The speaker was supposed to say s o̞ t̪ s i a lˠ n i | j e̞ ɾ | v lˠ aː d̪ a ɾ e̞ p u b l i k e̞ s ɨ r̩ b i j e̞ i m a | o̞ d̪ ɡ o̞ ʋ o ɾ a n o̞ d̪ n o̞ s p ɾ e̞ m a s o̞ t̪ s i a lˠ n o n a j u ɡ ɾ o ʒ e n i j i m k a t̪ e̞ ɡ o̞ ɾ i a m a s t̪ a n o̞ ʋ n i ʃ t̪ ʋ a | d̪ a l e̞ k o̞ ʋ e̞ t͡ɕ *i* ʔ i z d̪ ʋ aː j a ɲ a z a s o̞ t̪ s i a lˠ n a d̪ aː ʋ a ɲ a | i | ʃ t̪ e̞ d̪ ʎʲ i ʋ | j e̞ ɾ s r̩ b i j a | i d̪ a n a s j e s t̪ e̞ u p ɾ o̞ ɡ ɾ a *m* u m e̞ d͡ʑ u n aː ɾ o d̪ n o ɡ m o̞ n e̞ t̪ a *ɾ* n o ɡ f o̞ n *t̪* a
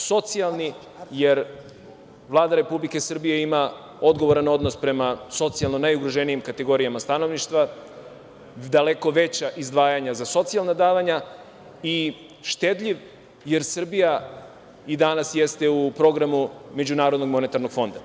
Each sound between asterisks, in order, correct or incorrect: incorrect, correct, correct, incorrect

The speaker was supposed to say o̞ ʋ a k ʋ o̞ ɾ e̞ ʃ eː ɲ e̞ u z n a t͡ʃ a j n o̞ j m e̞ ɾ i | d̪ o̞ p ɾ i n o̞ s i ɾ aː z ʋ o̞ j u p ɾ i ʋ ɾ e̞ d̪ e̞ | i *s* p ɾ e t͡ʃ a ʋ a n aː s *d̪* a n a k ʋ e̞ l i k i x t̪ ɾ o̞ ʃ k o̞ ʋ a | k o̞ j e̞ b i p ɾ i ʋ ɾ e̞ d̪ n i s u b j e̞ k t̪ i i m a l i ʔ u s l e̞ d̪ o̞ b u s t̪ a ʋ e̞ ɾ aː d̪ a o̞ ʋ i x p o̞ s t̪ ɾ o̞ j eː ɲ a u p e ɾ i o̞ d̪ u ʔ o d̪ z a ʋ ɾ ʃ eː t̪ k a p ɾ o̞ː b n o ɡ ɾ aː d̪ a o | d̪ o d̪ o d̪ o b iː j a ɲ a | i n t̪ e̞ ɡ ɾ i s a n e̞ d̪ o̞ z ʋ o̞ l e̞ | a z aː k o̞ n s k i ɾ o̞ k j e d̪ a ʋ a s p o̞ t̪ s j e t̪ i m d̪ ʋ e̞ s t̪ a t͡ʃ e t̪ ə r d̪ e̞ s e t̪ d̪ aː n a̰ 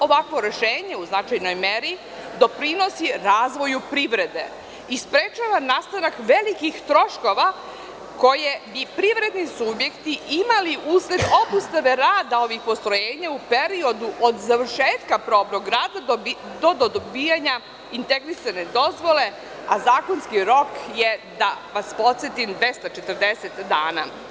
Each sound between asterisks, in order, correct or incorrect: correct, incorrect

